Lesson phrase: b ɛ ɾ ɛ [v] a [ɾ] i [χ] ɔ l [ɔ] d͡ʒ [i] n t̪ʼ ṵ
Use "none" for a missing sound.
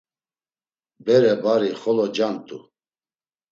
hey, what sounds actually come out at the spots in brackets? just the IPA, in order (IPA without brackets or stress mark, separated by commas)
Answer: b, ɾ, χ, ɔ, a